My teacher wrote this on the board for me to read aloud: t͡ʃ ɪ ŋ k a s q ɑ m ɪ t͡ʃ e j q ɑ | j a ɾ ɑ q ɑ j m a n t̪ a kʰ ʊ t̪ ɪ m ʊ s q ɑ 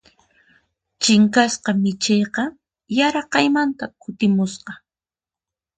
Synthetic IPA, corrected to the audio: t͡ʃ ɪ ŋ k a s q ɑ m ɪ t͡ʃ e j q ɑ | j a ɾ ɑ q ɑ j m a n t̪ a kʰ ʊ t̪ ɪ m ʊ s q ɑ